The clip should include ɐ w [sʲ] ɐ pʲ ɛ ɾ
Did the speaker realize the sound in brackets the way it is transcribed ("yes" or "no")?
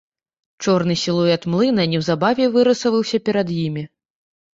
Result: yes